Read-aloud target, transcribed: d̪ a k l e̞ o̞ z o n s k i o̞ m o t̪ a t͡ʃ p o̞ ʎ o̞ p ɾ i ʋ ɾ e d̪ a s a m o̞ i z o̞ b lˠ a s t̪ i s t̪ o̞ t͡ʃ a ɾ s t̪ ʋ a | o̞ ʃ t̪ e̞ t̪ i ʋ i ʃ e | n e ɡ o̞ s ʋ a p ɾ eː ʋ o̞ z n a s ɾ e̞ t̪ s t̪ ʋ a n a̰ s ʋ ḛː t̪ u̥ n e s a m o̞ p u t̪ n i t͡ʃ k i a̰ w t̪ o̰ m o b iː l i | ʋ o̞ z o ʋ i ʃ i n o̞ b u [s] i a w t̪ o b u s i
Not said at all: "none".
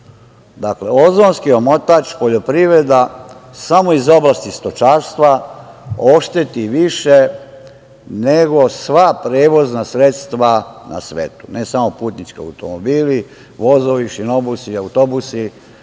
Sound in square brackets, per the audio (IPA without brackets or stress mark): s